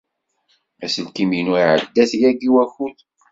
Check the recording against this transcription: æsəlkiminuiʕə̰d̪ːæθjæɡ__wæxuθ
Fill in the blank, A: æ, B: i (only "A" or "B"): B